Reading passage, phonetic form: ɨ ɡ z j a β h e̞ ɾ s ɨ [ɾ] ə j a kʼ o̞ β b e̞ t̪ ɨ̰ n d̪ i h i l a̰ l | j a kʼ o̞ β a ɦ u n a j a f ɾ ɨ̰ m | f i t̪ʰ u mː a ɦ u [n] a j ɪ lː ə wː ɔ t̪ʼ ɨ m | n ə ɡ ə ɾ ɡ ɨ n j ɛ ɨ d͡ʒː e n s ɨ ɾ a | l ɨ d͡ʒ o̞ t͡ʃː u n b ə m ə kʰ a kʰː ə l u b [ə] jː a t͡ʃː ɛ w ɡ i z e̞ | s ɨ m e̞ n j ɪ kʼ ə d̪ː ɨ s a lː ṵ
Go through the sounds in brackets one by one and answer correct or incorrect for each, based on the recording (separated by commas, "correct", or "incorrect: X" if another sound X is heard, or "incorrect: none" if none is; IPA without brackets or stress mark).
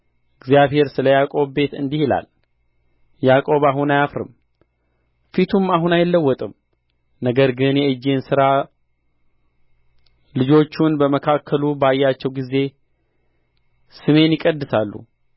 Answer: incorrect: l, correct, incorrect: a